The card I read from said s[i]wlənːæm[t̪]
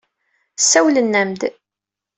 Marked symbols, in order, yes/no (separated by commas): no, no